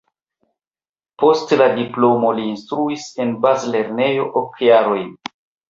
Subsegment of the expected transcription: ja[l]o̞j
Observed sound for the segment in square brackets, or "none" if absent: ɾ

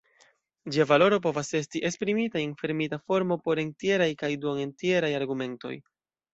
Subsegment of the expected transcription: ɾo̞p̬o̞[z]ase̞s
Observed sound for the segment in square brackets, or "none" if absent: v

